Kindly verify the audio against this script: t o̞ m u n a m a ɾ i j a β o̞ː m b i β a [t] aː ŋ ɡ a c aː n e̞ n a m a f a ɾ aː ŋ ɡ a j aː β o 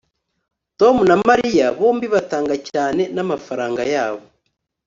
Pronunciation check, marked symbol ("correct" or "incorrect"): correct